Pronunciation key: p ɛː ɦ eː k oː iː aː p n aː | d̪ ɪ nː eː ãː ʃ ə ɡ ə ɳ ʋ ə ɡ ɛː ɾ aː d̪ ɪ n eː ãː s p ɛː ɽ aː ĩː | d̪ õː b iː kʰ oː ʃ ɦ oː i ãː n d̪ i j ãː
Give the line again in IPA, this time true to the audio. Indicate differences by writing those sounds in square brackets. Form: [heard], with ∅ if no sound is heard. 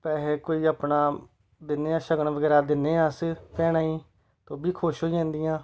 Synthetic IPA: p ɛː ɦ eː k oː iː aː p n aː | d̪ ɪ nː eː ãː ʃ ə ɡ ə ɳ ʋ ə ɡ ɛː ɾ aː d̪ ɪ n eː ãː s p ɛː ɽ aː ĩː | [t̪] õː b iː kʰ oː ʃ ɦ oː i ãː n d̪ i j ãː